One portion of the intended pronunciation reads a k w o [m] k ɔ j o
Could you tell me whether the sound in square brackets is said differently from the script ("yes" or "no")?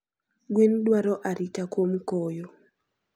no